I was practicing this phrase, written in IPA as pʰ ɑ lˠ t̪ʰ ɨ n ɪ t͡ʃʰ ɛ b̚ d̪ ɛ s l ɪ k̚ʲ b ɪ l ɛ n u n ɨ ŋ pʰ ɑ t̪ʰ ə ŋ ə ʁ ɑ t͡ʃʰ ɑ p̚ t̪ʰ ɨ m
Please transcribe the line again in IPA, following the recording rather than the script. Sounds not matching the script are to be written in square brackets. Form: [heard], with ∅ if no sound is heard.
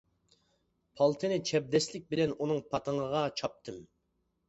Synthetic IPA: pʰ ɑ lˠ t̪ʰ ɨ n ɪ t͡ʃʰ ɛ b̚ d̪ ɛ s l ɪ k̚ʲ b ɪ l ɛ n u n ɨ ŋ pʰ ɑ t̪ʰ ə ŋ ə ʁ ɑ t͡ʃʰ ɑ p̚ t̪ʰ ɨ m